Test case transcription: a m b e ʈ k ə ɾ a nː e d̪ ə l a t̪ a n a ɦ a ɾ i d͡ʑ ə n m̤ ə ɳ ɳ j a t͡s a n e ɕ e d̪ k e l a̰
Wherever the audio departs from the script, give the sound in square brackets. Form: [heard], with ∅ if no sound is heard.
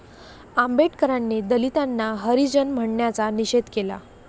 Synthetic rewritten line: a m b e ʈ k ə ɾ a nː e d̪ ə l [i] t̪ a [nː] a ɦ [ə] ɾ i d͡ʑ ə n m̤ ə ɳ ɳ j a t͡s a n [i] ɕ e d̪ k e l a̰